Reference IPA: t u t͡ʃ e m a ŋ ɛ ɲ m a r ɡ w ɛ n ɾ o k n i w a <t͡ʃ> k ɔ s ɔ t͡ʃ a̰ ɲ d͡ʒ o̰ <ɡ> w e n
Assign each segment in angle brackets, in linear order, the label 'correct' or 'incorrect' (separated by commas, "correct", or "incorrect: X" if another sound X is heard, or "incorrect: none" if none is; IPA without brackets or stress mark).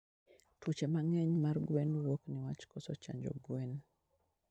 correct, correct